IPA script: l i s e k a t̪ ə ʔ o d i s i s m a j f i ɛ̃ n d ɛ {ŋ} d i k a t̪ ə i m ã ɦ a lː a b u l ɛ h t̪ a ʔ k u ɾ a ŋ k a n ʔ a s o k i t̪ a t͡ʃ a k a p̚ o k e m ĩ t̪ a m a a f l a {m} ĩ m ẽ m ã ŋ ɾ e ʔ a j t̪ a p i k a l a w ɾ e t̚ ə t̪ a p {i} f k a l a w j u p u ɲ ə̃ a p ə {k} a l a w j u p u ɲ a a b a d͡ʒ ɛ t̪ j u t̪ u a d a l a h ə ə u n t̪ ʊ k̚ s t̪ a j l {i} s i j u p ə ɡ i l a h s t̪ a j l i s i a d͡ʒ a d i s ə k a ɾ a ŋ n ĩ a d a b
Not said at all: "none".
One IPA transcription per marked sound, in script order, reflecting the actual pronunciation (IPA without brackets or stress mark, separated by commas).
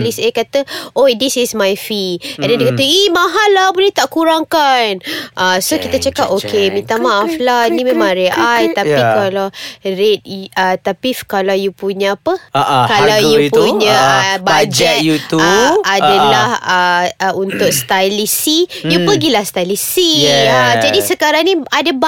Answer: n, n, i, k, i